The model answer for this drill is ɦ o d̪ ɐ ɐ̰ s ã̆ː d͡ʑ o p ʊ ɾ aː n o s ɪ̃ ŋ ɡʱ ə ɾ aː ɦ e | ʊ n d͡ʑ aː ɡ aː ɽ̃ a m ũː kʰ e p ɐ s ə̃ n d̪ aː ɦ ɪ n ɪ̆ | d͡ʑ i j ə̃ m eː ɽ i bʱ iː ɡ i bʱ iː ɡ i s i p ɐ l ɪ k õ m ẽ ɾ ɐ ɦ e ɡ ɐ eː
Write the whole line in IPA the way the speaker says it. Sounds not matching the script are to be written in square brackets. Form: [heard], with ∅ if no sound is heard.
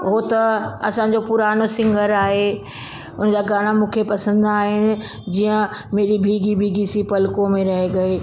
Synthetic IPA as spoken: ɦ o [t̪] ɐ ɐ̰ s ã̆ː d͡ʑ o p ʊ ɾ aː n o s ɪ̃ ŋ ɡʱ ə ɾ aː ɦ e | ʊ n d͡ʑ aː ɡ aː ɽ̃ a m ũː kʰ e p ɐ s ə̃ n d̪ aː ɦ ɪ n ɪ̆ | d͡ʑ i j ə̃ m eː [ɾ] i bʱ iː ɡ i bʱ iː ɡ i s i p ɐ l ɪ k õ m ẽ ɾ ɐ ɦ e ɡ ɐ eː

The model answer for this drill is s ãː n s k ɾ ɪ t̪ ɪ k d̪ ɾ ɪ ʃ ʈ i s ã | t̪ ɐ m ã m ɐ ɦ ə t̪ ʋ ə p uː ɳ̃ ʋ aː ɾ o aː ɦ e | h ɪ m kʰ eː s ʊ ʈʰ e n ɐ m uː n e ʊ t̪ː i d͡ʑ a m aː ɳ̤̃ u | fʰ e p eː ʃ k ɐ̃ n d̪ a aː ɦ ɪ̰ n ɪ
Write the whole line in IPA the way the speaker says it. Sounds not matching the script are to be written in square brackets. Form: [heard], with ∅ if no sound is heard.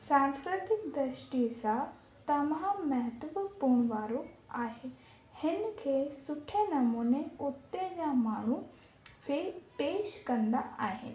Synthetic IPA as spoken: s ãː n s k ɾ ɪ t̪ ɪ k d̪ ɾ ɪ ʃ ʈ i s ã | t̪ ɐ m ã m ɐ ɦ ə t̪ ʋ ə p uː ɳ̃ ʋ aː ɾ o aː ɦ e | h ɪ [n] kʰ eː s ʊ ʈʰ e n ɐ m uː n e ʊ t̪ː [e] d͡ʑ a m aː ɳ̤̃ u | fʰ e p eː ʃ k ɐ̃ n d̪ a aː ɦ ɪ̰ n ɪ

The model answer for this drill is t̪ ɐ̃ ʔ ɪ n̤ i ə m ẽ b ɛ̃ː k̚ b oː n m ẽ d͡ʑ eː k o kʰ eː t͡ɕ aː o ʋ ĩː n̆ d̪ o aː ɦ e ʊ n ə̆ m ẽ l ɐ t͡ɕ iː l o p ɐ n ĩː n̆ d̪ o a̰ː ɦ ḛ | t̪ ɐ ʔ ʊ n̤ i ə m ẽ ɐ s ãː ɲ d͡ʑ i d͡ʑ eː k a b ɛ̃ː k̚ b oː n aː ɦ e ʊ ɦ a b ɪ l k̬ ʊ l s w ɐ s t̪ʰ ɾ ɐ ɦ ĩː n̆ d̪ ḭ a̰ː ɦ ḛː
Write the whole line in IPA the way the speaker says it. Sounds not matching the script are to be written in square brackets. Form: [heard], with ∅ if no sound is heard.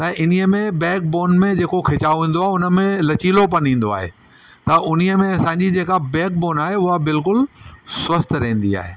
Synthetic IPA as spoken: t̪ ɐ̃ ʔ ɪ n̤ i ə m ẽ b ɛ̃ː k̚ b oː n m ẽ d͡ʑ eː k o kʰ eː t͡ɕ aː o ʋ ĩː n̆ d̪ o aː ɦ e ʊ n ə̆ m ẽ l ɐ t͡ɕ iː l o p ɐ n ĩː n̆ d̪ o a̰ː ɦ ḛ | t̪ ɐ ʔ ʊ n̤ i ə m ẽ ɐ s ãː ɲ d͡ʑ i d͡ʑ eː k a b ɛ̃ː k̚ b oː n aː ɦ e ʊ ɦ a b ɪ l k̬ ʊ l s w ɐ s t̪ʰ ɾ ɐ ɦ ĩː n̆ d̪ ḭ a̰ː ɦ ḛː

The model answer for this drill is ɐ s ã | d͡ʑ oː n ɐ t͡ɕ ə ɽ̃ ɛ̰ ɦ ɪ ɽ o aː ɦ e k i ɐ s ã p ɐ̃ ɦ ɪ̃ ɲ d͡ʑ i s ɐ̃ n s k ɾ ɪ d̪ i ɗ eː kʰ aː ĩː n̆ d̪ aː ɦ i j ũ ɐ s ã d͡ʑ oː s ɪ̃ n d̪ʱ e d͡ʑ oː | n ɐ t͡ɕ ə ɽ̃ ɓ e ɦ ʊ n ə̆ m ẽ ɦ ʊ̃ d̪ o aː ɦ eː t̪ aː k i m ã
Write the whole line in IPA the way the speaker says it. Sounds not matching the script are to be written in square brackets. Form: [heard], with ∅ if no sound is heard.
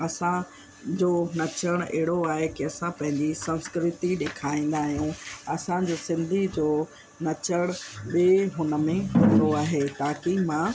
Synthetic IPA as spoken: ɐ s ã | d͡ʑ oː n ɐ t͡ɕ ə ɽ̃ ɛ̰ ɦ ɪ ɽ o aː ɦ e k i ɐ s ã p ɐ̃ ɦ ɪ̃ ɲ d͡ʑ i s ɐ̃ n s k ɾ ɪ [t̪] i ɗ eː kʰ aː ĩː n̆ d̪ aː ɦ i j ũ ɐ s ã d͡ʑ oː s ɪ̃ n d̪ʱ [i] d͡ʑ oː | n ɐ t͡ɕ ə ɽ̃ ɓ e ɦ ʊ n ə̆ m ẽ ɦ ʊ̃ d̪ o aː ɦ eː t̪ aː k i m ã

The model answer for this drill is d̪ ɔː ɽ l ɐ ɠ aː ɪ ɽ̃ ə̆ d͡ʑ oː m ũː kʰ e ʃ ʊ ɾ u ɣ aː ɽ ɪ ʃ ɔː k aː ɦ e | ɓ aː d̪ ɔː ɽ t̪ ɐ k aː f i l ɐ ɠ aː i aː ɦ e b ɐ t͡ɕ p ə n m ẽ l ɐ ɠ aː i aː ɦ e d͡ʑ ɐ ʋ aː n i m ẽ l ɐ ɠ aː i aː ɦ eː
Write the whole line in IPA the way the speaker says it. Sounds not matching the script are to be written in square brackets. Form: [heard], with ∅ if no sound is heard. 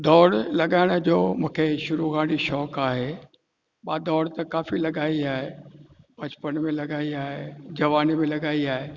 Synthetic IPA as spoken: d̪ ɔː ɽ l ɐ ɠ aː ɪ ɽ̃ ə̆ d͡ʑ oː m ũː kʰ e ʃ ʊ ɾ u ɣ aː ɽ [i] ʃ ɔː k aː ɦ e | ɓ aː d̪ ɔː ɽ t̪ ɐ k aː f i l ɐ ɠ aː i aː ɦ e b ɐ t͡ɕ p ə n m ẽ l ɐ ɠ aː i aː ɦ e d͡ʑ ɐ ʋ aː n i m ẽ l ɐ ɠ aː i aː ɦ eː

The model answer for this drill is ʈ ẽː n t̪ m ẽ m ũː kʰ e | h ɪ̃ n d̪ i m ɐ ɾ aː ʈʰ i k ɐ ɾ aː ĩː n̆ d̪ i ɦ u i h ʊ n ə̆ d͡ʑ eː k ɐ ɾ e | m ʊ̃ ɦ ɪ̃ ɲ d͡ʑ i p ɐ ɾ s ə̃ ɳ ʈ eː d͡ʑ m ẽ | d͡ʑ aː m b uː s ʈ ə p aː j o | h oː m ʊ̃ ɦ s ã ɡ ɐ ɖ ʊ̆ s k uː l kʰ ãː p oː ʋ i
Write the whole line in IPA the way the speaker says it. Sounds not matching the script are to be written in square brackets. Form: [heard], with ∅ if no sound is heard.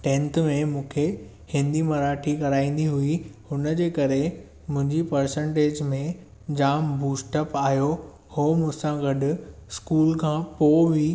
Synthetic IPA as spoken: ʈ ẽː n t̪ m ẽ m ũː kʰ e | h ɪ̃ n d̪ i m ɐ ɾ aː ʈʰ i k ɐ ɾ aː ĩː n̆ d̪ i ɦ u i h ʊ n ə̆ d͡ʑ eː k ɐ ɾ e | m ʊ̃ ɦ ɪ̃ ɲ d͡ʑ i p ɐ ɾ s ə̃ ɳ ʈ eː d͡ʑ m ẽ | d͡ʑ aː m b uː s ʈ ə p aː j o | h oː m ʊ̃ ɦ s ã ɡ ɐ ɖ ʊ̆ s k uː l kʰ ãː p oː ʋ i

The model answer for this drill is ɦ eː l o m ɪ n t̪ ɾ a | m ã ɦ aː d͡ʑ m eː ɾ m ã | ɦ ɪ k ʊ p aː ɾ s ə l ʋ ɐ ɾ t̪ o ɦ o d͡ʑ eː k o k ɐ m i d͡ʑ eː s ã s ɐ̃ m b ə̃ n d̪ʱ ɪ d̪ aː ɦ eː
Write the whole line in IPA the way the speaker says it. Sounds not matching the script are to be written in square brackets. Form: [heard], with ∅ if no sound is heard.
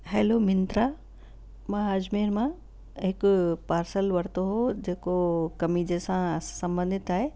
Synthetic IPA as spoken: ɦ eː l o m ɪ n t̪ ɾ a | m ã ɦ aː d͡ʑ m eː ɾ m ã | ɦ ɪ k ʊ p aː ɾ s ə l ʋ ɐ ɾ t̪ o ɦ o d͡ʑ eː k o k ɐ m i d͡ʑ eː s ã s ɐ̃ m b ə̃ n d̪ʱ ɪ [t̪] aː ɦ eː

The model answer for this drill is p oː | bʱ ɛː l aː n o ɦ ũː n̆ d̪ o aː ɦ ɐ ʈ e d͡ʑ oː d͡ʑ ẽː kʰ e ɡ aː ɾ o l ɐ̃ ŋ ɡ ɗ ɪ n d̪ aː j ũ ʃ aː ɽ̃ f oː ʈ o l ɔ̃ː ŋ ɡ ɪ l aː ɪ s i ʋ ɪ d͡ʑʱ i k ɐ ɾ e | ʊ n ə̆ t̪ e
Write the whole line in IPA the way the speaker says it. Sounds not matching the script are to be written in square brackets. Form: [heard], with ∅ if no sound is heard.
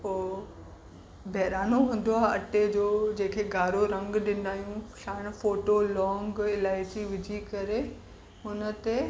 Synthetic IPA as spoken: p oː | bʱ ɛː [ɾ] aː n o ɦ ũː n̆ d̪ o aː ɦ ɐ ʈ e d͡ʑ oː d͡ʑ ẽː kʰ e ɡ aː ɾ o [ɾ] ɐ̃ ŋ ɡ ɗ ɪ n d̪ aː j ũ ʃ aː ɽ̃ f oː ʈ o l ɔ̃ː ŋ ɡ ɪ l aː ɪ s i ʋ ɪ d͡ʑʱ i k ɐ ɾ e | ʊ n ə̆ t̪ e

